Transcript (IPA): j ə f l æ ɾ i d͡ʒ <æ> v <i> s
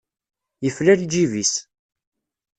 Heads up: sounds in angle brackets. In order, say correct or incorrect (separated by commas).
incorrect, correct